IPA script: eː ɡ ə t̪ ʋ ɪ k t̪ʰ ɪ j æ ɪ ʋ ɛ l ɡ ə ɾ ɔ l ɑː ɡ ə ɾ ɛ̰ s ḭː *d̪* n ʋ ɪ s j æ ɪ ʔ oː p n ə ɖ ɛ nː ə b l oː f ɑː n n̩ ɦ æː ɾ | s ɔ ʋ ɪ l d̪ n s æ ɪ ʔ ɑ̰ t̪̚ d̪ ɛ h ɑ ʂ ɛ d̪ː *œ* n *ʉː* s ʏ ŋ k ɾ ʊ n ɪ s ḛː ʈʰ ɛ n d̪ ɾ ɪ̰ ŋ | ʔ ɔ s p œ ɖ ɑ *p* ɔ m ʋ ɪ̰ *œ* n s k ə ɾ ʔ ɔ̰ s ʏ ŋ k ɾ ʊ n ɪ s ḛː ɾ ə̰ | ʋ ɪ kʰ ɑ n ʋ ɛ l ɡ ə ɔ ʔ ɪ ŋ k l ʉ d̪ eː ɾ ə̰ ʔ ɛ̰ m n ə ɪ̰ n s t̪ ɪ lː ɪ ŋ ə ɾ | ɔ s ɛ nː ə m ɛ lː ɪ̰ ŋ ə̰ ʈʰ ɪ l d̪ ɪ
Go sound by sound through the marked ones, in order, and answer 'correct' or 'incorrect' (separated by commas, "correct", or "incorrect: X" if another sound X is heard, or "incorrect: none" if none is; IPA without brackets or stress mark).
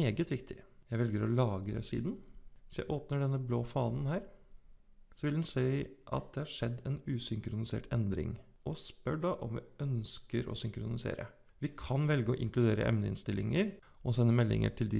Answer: correct, incorrect: ɛ, correct, incorrect: ʔ, correct